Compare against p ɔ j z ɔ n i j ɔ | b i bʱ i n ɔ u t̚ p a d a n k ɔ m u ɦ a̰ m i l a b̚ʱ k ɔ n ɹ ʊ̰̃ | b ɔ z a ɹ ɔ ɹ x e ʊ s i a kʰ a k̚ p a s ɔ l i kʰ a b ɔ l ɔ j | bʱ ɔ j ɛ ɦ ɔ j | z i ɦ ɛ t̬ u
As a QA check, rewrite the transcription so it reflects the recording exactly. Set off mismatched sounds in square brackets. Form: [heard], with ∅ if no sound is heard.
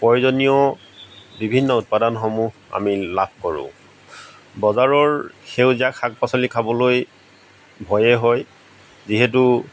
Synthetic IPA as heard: p ɔ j z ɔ n i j ɔ | b i bʱ i [nː] ɔ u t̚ p a d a n [x] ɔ m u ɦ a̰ m i l a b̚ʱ k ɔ [∅] ɹ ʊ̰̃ | b ɔ z a ɹ ɔ ɹ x e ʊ [z] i a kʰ a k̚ p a s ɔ l i kʰ a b ɔ l [o] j | bʱ ɔ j ɛ ɦ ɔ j | z i ɦ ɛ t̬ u